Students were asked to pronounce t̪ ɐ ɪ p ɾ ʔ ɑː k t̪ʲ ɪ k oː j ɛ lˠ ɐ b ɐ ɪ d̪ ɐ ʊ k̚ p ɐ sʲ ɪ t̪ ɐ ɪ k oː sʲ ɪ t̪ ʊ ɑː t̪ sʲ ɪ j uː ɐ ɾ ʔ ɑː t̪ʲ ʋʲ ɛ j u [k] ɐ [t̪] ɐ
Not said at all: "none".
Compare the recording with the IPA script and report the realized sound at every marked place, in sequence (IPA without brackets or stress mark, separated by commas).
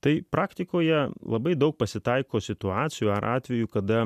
k, d̪